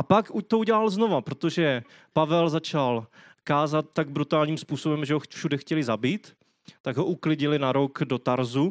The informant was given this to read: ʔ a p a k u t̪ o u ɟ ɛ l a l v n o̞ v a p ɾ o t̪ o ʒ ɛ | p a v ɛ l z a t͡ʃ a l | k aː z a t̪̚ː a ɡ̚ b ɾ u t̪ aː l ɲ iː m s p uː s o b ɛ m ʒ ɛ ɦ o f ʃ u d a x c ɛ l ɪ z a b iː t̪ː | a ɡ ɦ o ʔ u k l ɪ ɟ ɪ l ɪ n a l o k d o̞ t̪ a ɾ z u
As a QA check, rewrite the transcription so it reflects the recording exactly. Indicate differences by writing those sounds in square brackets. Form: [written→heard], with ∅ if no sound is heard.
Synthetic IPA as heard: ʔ a p a k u t̪ o u ɟ ɛ l a l [v→z] n o̞ v a p ɾ o t̪ o ʒ ɛ | p a v ɛ l z a t͡ʃ a l | k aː z a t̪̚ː a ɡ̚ b ɾ u t̪ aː l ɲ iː m s p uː s o b ɛ m ʒ ɛ ɦ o f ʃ u d [a→ɛ] x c ɛ l ɪ z a b iː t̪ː | a ɡ ɦ o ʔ u k l ɪ ɟ ɪ l ɪ n a [l→ɾ] o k d o̞ t̪ a ɾ z u